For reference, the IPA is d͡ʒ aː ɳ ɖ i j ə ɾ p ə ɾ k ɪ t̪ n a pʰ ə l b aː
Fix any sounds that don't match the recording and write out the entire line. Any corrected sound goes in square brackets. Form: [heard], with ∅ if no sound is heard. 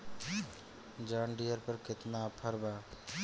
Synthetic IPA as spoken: d͡ʒ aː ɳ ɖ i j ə ɾ p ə ɾ k ɪ t̪ n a pʰ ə [ɾ] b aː